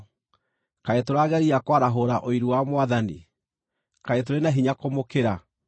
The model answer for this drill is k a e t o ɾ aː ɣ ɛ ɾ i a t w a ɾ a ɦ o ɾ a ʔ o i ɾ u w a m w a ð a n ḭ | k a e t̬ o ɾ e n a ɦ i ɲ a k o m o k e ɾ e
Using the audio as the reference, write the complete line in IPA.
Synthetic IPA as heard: k a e t o ɾ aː ɣ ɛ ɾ i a k w a ɾ a ɦ o ɾ a ʔ o i ɾ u w a m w a ð a n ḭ | k a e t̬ o ɾ e n a ɦ i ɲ a k o m o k e ɾ a